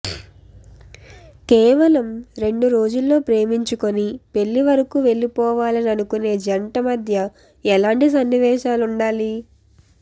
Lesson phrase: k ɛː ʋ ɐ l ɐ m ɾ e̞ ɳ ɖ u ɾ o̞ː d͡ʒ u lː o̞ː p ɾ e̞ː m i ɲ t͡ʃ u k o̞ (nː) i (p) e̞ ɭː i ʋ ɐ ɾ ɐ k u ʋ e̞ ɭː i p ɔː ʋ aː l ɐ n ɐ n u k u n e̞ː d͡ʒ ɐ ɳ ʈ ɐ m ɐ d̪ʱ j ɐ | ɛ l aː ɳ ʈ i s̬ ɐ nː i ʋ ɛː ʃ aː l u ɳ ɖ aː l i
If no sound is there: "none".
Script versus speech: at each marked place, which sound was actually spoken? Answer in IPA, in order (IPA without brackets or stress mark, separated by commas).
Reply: n, p